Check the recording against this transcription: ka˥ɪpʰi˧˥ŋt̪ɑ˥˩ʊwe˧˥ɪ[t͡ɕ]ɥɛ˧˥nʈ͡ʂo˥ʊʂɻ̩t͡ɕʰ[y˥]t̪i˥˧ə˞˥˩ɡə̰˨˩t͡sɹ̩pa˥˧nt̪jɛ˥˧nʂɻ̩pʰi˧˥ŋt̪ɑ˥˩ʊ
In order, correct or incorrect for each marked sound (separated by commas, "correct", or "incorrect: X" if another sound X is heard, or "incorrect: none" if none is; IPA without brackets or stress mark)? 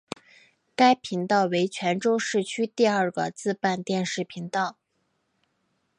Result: incorrect: t͡ɕʰ, correct